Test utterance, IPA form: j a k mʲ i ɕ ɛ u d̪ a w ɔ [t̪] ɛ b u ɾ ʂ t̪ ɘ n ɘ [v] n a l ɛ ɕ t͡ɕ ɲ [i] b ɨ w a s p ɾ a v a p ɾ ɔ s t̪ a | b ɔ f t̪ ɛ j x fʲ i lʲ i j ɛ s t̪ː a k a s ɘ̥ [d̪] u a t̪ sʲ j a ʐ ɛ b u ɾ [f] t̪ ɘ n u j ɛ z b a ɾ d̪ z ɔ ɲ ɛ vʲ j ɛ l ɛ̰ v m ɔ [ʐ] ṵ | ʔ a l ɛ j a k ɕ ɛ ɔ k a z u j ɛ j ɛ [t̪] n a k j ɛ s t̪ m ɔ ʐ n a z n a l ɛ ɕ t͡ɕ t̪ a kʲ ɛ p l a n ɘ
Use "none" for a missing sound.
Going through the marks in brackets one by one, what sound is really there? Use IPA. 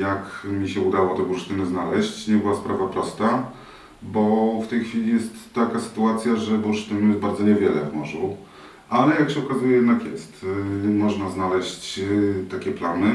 t̪, z, ɛ, t̪, ʂ, ʐ, d̪

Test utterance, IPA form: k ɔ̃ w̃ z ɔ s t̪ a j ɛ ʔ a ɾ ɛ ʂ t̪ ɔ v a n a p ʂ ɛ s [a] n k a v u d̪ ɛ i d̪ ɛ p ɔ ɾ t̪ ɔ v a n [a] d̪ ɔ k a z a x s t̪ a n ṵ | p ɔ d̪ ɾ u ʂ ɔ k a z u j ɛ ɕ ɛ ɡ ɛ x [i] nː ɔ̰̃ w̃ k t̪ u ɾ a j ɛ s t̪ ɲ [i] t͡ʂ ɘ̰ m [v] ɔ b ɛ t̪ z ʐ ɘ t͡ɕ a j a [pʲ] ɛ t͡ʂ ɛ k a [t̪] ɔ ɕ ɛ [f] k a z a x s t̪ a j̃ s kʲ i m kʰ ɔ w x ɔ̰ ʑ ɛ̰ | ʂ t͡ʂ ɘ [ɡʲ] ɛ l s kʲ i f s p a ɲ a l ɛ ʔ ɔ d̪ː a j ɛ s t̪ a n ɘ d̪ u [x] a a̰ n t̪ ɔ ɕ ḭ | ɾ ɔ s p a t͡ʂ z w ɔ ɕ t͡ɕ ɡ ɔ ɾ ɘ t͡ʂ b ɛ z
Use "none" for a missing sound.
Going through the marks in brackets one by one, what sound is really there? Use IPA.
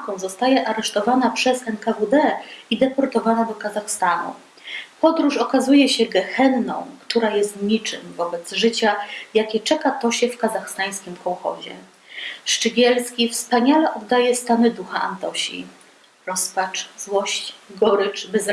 ɛ, a, ɛ, i, v, kʲ, t̪, f, ɡʲ, x

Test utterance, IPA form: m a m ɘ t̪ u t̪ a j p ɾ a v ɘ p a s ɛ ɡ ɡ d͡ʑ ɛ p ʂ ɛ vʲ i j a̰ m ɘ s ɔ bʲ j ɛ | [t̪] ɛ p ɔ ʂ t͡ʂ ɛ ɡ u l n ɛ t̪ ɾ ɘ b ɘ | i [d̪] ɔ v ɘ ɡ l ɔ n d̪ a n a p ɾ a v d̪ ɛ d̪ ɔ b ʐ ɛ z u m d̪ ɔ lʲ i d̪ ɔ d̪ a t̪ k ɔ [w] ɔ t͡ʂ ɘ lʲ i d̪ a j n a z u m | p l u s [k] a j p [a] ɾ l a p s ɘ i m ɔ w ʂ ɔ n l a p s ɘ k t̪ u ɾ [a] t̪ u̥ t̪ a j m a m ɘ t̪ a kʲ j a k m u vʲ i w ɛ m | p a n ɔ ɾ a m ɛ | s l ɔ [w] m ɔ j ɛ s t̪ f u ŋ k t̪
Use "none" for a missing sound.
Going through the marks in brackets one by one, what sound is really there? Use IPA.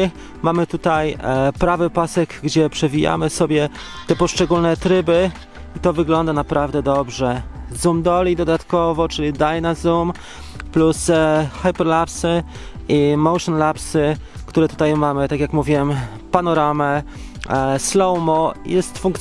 t̪, t̪, v, x, ɛ, ɛ, w

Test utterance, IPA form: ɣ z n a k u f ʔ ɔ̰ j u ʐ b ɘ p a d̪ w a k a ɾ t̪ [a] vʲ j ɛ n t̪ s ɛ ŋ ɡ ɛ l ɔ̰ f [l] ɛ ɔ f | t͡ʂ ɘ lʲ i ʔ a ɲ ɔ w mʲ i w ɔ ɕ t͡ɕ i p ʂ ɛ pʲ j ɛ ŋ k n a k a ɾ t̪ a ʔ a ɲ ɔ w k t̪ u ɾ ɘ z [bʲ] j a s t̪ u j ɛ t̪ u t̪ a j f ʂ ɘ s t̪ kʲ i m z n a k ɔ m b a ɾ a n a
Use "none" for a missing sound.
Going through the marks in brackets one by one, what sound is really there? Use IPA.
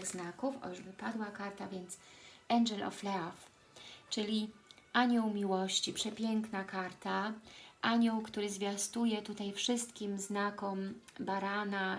a, l, vʲ

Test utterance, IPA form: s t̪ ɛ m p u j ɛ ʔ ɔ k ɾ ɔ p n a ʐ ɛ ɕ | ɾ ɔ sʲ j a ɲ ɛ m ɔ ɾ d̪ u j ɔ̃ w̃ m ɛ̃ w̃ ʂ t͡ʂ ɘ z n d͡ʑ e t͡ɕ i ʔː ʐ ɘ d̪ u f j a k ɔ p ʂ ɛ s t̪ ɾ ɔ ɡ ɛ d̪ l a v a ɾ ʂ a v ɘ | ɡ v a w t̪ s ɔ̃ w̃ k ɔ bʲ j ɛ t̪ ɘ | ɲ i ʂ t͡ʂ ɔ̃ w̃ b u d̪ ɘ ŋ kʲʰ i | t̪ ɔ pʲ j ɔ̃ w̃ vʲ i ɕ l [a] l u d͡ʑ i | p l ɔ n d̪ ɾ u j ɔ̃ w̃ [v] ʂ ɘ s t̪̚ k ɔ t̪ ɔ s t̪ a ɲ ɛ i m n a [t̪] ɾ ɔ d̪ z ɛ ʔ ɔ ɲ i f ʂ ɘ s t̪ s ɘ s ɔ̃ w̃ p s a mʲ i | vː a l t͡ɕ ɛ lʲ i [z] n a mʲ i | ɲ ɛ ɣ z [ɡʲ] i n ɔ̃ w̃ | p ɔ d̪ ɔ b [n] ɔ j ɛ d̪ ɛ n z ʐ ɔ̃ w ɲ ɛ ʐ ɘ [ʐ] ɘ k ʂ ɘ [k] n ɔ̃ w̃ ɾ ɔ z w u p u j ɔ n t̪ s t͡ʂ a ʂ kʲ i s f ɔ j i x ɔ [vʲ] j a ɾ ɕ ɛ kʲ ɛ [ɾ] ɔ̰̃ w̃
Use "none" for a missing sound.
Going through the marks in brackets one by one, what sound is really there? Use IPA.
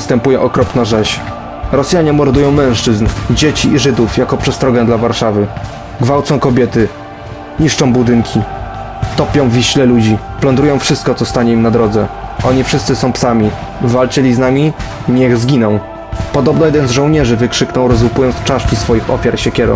ɛ, f, d̪, z, ɡʲ, n, v, k, fʲ, ɾ

